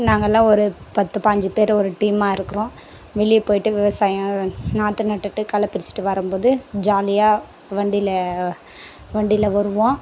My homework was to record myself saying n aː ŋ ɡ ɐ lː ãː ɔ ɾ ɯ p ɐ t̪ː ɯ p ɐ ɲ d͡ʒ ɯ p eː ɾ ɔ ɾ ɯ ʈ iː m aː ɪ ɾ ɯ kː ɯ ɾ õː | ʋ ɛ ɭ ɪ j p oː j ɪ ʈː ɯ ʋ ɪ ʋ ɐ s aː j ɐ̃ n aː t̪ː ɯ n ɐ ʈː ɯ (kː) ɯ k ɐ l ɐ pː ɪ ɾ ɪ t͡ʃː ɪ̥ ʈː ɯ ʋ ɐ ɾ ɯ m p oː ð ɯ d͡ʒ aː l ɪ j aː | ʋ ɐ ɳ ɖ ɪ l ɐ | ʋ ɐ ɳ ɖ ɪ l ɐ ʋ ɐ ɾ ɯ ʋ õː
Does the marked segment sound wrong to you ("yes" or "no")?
yes